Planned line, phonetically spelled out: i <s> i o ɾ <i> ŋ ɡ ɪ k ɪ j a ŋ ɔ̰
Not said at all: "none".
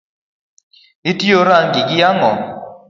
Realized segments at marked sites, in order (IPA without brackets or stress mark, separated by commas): t, a